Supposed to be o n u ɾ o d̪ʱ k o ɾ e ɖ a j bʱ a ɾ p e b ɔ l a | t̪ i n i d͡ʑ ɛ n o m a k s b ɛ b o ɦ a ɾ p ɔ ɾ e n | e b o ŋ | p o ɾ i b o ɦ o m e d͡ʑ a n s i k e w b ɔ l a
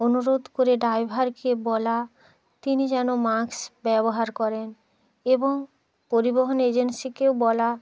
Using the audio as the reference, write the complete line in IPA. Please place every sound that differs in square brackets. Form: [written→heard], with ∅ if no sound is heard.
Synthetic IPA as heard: o n u ɾ o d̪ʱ k o ɾ e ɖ a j bʱ a ɾ [p→k] e b ɔ l a | t̪ i n i d͡ʑ ɛ n o m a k s b ɛ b o ɦ a ɾ [p→k] ɔ ɾ e n | e b o ŋ | p o ɾ i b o ɦ o [m→n] e d͡ʑ [a→e] n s i k e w b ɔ l a